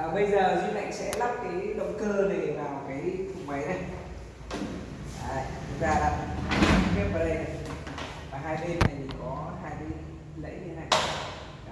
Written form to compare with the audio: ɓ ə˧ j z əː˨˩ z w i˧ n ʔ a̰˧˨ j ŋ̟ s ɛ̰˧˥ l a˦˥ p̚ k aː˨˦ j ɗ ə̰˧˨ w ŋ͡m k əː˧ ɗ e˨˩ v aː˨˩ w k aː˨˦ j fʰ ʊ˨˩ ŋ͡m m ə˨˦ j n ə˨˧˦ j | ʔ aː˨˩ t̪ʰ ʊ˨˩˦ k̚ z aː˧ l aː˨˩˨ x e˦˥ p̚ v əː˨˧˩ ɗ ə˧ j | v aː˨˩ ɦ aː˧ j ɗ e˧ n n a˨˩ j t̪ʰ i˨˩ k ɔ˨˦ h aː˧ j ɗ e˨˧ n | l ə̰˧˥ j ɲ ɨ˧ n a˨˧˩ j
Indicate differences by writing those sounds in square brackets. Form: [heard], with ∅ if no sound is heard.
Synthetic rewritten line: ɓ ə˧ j z əː˨˩ z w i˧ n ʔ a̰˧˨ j ŋ̟ s ɛ̰˧˥ l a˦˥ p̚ k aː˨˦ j ɗ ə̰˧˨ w ŋ͡m k əː˧ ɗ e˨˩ v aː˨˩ w k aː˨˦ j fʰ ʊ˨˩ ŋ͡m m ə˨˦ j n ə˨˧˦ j | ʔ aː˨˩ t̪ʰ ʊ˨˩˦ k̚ z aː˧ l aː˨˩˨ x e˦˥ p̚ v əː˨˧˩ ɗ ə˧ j | v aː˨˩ ɦ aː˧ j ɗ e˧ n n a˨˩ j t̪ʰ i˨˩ k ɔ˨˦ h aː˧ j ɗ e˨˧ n | l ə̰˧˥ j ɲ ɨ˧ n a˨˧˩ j